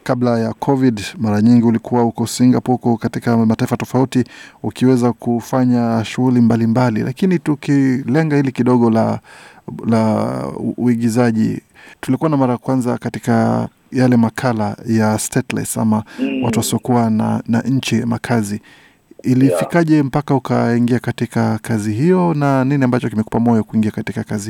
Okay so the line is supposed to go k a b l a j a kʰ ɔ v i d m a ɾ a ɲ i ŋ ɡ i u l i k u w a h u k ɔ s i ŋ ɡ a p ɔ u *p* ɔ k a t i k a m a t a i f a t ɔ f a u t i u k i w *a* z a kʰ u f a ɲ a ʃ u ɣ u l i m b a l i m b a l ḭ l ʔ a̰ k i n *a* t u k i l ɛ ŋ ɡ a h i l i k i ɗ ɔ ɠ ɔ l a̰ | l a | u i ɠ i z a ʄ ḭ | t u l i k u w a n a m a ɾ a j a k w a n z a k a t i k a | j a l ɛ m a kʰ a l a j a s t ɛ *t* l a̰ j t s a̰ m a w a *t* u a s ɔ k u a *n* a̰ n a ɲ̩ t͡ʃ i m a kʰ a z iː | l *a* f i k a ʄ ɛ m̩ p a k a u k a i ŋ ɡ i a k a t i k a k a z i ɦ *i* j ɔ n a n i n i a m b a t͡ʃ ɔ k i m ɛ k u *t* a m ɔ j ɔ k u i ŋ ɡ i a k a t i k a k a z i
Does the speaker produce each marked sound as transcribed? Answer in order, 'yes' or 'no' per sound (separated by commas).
no, no, no, yes, yes, yes, no, yes, no